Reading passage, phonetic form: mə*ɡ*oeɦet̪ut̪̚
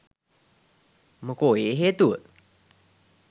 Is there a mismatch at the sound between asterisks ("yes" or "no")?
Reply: yes